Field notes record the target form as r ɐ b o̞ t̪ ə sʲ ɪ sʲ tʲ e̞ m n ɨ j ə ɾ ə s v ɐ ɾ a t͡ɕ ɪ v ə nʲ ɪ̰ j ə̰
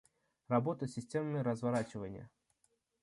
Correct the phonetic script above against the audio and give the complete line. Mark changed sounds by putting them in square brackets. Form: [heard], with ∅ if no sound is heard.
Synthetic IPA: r ɐ b o̞ t̪ ə sʲ ɪ sʲ tʲ e̞ m n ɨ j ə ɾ ə [z] v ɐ ɾ a t͡ɕ ɪ v ə nʲ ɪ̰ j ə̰